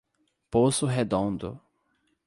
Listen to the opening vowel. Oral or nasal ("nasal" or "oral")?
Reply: oral